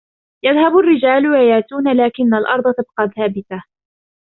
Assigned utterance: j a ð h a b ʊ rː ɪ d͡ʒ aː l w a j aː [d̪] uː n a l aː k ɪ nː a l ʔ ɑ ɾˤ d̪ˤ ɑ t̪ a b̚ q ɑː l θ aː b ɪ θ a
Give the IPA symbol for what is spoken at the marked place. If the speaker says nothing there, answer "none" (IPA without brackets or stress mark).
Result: t̪